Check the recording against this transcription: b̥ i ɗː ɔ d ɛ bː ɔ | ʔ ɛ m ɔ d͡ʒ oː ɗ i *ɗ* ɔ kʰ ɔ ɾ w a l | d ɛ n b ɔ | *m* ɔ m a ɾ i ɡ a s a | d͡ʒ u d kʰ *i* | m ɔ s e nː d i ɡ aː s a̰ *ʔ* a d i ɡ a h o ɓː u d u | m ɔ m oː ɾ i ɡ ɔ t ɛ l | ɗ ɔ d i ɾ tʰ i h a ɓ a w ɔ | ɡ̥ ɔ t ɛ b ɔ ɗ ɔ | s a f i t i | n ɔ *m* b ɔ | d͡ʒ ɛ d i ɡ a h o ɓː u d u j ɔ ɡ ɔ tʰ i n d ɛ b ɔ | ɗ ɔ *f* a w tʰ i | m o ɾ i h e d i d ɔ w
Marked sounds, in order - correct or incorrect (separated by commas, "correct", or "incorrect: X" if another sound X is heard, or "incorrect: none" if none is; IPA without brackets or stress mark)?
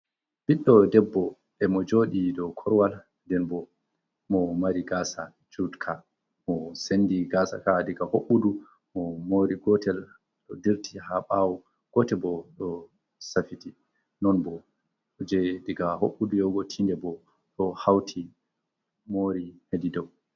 incorrect: d, correct, incorrect: a, incorrect: k, incorrect: n, incorrect: h